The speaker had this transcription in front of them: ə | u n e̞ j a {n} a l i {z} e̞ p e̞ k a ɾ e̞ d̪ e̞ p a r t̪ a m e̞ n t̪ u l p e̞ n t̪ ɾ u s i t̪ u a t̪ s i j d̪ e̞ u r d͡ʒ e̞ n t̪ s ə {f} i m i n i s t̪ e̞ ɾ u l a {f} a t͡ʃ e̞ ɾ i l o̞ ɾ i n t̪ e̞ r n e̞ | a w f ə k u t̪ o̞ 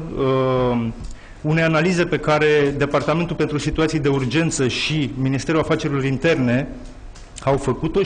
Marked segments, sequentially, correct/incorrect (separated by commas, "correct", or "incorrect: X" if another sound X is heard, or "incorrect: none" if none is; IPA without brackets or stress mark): correct, correct, incorrect: ʃ, correct